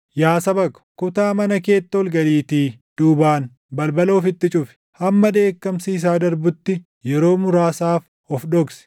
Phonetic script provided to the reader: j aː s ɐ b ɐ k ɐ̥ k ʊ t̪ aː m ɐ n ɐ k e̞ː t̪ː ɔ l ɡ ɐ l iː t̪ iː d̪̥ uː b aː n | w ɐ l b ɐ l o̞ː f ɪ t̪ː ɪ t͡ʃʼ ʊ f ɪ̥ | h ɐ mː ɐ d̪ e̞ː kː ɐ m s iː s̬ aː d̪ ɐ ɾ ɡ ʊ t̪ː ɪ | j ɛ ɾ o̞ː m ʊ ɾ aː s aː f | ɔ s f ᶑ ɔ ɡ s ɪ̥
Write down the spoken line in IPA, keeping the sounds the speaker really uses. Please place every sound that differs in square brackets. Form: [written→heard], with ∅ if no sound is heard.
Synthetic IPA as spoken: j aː s ɐ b ɐ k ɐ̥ k ʊ t̪ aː m ɐ n ɐ k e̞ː t̪ː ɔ l ɡ ɐ l iː t̪ iː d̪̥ uː b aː n | [w→b] ɐ l b ɐ l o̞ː f ɪ t̪ː ɪ t͡ʃʼ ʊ f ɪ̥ | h ɐ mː ɐ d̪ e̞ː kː ɐ m s iː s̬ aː d̪ ɐ ɾ [ɡ→b] ʊ t̪ː ɪ | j ɛ ɾ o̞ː m ʊ ɾ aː s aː f | ɔ [s→∅] f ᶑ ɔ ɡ s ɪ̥